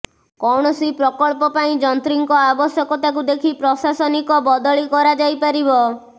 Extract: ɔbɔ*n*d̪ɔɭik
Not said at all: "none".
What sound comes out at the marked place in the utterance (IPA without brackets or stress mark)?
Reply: none